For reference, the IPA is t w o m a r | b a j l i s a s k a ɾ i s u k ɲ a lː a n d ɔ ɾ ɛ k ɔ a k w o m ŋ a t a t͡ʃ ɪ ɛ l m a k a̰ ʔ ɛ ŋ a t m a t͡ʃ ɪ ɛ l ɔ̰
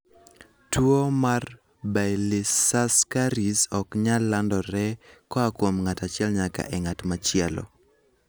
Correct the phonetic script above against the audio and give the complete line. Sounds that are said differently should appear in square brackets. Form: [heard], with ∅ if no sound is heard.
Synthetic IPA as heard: t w o m a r | b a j l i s a s k a ɾ i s [ɔ] k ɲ a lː a n d ɔ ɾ ɛ k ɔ a k w o m ŋ a t a t͡ʃ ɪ ɛ l [ɲ] a k a̰ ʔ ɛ ŋ a t m a t͡ʃ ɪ ɛ l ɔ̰

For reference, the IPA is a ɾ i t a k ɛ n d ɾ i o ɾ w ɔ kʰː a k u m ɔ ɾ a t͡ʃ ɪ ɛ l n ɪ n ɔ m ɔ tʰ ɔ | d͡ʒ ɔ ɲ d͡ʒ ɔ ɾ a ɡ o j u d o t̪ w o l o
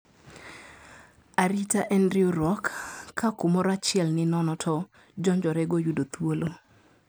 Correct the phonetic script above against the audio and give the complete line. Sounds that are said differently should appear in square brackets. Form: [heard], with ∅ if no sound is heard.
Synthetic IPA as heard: a ɾ i t a [ʔ] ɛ n d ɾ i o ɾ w ɔ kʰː a k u m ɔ ɾ a t͡ʃ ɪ ɛ l n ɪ n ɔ [n] ɔ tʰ ɔ | d͡ʒ ɔ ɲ d͡ʒ ɔ ɾ [ɛ] ɡ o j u d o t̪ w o l o

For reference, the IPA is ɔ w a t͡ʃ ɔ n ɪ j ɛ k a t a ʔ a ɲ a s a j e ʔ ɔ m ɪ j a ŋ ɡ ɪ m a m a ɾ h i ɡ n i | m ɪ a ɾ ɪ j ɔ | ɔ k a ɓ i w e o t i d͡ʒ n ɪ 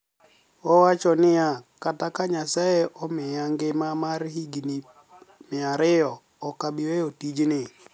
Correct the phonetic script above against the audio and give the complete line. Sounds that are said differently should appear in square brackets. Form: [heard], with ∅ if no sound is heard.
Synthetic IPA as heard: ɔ w a t͡ʃ ɔ n ɪ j [a] k a t a [k] a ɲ a s a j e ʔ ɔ m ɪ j a ŋ ɡ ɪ m a m a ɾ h i ɡ n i | m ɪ a ɾ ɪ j ɔ | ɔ k a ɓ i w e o t i d͡ʒ n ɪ

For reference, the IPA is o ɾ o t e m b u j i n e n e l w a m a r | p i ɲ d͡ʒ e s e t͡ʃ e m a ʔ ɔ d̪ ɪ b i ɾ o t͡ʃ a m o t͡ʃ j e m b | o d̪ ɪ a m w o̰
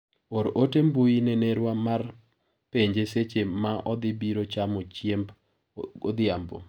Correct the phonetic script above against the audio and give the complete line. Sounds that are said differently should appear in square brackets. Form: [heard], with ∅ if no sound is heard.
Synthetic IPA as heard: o ɾ o t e m b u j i n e n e [ɾ] w a m a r | p [e] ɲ d͡ʒ e s e t͡ʃ e m a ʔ ɔ d̪ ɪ b i ɾ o t͡ʃ a m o t͡ʃ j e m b | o d̪ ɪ a m [b] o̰

